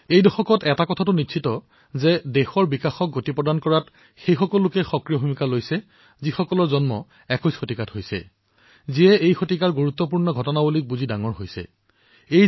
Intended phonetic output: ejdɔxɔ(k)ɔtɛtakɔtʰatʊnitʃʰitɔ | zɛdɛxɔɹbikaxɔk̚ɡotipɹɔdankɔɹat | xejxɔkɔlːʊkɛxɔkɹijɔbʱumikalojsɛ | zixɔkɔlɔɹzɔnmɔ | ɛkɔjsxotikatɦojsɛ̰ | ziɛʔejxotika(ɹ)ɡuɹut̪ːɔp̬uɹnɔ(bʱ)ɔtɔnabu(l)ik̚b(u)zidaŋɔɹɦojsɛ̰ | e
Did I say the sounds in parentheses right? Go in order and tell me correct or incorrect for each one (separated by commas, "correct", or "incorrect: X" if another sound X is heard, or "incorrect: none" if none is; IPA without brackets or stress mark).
correct, correct, incorrect: ɡʱ, correct, correct